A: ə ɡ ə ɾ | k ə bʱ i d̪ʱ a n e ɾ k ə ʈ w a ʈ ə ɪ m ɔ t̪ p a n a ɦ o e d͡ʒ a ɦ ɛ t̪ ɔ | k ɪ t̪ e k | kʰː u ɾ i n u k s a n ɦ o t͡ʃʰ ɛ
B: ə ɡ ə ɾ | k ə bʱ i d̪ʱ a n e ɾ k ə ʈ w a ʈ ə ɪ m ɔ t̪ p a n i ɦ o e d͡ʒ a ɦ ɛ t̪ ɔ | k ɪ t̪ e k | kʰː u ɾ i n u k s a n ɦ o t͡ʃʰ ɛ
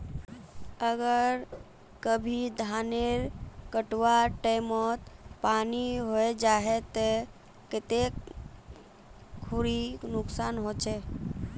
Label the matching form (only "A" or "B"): B